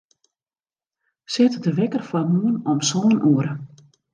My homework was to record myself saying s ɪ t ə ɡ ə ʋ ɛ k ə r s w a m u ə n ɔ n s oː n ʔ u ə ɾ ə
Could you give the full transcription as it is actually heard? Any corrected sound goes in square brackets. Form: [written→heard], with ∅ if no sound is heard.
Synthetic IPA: s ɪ t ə [ɡ→d] ə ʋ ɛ k ə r [s→f] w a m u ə n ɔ [n→m] s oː n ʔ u ə ɾ ə